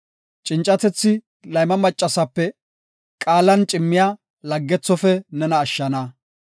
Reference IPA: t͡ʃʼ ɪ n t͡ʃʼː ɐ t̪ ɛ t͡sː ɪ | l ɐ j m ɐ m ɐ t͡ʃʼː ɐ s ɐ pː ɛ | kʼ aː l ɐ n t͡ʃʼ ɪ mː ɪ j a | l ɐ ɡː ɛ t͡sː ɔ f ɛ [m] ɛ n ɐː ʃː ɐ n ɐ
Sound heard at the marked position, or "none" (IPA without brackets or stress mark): n